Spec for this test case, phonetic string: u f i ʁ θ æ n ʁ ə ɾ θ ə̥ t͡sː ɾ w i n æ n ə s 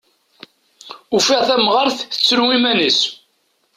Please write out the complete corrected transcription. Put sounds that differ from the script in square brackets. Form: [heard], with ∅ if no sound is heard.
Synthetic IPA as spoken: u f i ʁ θ æ [m] ʁ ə ɾ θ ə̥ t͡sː ɾ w i [m] æ n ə s